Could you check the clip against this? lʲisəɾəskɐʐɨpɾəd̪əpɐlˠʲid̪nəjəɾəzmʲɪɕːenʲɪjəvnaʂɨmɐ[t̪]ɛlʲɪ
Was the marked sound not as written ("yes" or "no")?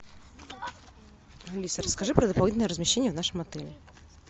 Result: no